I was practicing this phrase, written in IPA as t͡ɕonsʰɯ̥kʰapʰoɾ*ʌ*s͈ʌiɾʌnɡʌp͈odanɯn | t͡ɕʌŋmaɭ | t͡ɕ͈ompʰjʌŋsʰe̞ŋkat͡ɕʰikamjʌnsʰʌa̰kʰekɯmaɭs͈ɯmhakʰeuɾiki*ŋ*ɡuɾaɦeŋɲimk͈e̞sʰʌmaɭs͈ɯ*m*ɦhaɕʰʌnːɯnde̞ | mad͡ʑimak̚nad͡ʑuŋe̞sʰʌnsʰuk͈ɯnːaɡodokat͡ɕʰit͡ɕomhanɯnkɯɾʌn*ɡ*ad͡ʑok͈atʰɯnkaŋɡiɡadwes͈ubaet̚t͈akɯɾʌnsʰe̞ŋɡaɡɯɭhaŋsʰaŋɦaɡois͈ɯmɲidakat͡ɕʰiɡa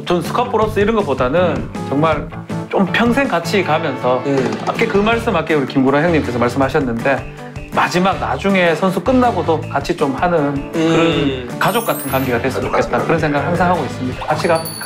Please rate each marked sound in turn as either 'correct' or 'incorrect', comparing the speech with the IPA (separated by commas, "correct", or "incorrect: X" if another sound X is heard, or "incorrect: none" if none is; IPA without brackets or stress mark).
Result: correct, incorrect: m, correct, incorrect: k